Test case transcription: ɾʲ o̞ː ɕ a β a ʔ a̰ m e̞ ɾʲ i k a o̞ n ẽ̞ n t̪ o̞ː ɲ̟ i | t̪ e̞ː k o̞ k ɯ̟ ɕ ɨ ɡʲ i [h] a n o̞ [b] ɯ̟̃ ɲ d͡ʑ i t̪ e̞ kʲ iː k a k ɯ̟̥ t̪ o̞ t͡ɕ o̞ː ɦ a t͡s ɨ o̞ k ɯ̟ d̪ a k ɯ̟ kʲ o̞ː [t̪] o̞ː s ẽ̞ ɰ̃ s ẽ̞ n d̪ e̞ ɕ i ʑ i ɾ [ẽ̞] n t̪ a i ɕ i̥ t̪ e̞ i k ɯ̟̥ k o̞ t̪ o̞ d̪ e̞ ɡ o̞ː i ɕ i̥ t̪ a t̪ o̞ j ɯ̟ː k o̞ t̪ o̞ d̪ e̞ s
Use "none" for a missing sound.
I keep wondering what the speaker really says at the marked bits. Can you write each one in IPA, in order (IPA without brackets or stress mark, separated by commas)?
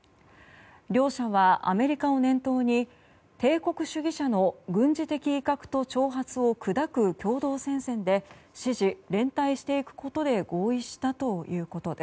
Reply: ɕ, ɡ, d̪, ẽ̞